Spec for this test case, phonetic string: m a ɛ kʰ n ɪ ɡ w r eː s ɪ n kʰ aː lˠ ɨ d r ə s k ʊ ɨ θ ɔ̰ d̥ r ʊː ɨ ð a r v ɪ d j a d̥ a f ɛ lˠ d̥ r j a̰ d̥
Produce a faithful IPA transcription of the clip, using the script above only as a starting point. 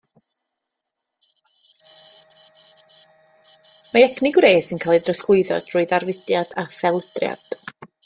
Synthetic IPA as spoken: m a ɛ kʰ n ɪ ɡ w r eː s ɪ n kʰ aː lˠ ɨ d r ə s k ʊ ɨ ð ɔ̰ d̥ r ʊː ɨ ð a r v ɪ d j a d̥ a f ɛ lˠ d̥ r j a̰ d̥